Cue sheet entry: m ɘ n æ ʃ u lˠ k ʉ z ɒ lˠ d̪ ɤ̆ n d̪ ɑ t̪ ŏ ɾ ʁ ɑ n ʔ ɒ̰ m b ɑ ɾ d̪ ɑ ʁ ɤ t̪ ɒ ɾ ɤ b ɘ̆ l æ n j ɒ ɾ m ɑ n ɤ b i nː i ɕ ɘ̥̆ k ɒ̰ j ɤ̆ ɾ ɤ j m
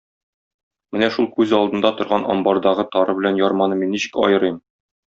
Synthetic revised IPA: m ɘ n æ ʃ u lˠ k ʉ z ɒ lˠ d̪ ɤ̆ n d̪ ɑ t̪ ŏ ɾ ʁ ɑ n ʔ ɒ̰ m b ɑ ɾ d̪ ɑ ʁ ɤ t̪ ɒ ɾ ɤ b ɘ̆ l æ n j ɒ ɾ m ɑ n ɤ m i nː i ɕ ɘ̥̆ k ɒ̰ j ɤ̆ ɾ ɤ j m

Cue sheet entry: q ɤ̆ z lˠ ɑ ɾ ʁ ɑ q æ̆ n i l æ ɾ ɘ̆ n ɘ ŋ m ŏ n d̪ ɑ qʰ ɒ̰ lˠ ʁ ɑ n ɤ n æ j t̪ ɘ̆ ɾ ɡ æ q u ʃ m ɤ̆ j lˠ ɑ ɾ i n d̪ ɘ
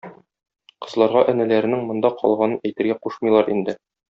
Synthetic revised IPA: q ɤ̆ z lˠ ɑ ɾ ʁ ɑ ʔ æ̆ n æ l æ ɾ ɘ̆ n ɘ ŋ m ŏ n d̪ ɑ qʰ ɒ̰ lˠ ʁ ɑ n ɤ n æ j t̪ ɘ̆ ɾ ɡ æ q u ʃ m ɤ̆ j lˠ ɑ ɾ i n d̪ ɘ

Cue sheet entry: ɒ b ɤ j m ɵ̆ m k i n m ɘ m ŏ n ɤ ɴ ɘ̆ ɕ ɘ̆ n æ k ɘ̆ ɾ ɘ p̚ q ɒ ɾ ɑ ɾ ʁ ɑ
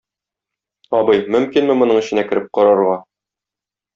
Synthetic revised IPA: ɒ b ɤ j m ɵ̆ m k i n m ɘ m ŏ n ɤ ɴ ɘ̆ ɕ ɘ̆ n æ k ɘ̆ ɾ ɘ p̚ q ɒ ɾ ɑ ɾ ʁ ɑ

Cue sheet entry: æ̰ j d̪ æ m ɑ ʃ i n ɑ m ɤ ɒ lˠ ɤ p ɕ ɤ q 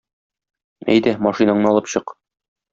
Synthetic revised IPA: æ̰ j d̪ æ m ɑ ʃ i n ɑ ɴ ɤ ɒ lˠ ɤ p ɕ ɤ q

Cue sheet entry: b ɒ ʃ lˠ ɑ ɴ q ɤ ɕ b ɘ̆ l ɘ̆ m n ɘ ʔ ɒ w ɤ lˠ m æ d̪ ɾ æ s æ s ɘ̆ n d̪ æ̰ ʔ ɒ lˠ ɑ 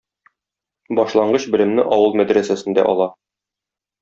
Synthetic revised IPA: b ɒ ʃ lˠ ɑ ɴ ɢ ɤ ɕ b ɘ̆ l ɘ̆ m n ɘ ʔ ɒ w ɤ lˠ m æ d̪ ɾ æ s æ s ɘ̆ n d̪ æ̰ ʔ ɒ lˠ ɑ

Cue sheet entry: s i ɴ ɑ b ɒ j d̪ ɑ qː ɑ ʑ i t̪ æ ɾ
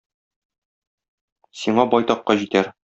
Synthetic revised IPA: s i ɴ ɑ b ɒ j t̪ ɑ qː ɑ ʑ i t̪ æ ɾ

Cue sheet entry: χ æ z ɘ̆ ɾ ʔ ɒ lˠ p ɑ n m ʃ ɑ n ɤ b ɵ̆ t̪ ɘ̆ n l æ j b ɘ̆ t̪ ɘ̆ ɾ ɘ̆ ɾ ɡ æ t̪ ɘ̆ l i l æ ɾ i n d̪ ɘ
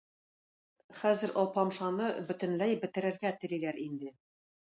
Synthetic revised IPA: χ æ z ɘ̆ ɾ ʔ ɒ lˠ p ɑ m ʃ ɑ n ɤ b ɵ̆ t̪ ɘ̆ n l æ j b ɘ̆ t̪ ɘ̆ ɾ ɘ̆ ɾ ɡ æ t̪ ɘ̆ l i l æ ɾ i n d̪ ɘ

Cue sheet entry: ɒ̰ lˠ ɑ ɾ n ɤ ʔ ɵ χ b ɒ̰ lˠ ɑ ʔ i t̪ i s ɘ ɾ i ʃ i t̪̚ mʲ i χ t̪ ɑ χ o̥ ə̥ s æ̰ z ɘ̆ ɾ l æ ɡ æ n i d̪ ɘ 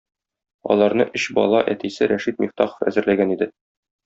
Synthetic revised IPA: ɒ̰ lˠ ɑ ɾ n ɤ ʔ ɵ ɕ b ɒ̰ lˠ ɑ ʔ æ t̪ i s ɘ ɾ æ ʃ i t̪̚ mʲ i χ t̪ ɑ χ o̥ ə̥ f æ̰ z ɘ̆ ɾ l æ ɡ æ n i d̪ ɘ

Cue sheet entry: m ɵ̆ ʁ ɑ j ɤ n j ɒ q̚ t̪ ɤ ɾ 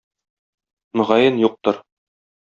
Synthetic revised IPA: m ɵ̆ ʁ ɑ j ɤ n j u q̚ t̪ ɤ ɾ

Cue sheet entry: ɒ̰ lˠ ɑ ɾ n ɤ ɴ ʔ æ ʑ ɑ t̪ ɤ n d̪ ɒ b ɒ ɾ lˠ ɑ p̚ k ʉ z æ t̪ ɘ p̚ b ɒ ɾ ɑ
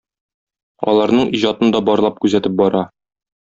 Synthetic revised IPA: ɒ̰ lˠ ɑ ɾ n ɤ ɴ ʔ i ʑ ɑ t̪ ɤ n d̪ ɒ b ɒ ɾ lˠ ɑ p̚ k ʉ z æ t̪ ɘ p̚ b ɒ ɾ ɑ

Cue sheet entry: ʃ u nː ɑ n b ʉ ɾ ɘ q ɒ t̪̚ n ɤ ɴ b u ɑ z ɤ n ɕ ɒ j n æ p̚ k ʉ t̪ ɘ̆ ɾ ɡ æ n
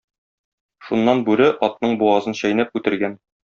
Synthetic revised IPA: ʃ u nː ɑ n b ʉ ɾ ɘ ʔ ɒ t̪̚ n ɤ ɴ b u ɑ z ɤ n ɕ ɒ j n æ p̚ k ʉ t̪ ɘ̆ ɾ ɡ æ n

